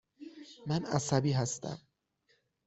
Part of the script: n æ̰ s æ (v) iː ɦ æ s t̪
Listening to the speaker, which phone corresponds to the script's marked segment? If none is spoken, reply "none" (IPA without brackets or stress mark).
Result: b